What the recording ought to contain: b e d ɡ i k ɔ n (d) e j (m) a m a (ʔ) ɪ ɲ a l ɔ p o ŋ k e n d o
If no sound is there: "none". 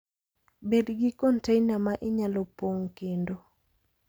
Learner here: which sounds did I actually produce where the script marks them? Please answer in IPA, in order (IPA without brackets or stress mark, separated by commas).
t, n, ʔ